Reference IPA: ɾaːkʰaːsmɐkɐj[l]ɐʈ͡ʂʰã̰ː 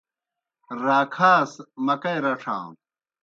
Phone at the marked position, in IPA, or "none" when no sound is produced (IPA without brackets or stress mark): ɾ